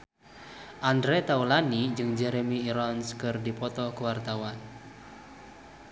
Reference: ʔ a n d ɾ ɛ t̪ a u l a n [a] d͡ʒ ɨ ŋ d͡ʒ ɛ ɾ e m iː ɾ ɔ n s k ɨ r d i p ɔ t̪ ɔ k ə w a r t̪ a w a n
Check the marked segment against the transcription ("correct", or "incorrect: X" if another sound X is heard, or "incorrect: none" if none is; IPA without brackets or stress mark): incorrect: i